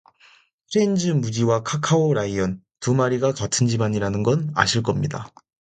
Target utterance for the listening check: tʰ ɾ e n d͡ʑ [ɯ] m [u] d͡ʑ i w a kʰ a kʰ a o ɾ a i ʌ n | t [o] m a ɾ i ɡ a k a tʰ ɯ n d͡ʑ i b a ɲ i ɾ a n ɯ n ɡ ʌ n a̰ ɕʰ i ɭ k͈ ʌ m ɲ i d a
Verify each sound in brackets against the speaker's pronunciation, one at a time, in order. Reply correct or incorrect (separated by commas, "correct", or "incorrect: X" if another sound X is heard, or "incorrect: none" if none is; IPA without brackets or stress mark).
correct, correct, incorrect: u